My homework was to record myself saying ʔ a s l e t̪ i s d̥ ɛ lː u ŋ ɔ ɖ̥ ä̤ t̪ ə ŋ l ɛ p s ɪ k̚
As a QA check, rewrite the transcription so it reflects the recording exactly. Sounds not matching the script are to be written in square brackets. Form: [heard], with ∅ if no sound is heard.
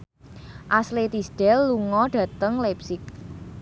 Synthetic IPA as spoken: ʔ a s l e t̪ i s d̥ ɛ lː u ŋ ɔ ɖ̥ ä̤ t̪ ə ŋ l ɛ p s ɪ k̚